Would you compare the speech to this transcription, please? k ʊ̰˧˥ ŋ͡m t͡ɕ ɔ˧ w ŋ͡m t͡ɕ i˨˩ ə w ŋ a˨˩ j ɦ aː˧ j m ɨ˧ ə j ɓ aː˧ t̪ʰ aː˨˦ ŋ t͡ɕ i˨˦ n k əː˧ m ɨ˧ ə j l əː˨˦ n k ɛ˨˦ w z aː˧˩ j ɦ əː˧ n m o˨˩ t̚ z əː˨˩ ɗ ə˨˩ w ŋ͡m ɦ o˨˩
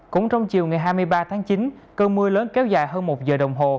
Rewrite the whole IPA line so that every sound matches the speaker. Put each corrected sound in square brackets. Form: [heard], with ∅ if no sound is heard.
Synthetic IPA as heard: k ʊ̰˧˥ ŋ͡m t͡ɕ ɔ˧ w ŋ͡m t͡ɕ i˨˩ ə w ŋ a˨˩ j ɦ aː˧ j m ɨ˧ ə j ɓ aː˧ t̪ʰ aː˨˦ ŋ t͡ɕ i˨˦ n k əː˧ m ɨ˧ ə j l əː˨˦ n k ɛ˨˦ w z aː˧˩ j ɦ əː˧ n m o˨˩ t̚ z əː˨˩ ɗ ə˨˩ w ŋ͡m ɦ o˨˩